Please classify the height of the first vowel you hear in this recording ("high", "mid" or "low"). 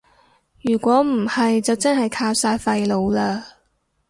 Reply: high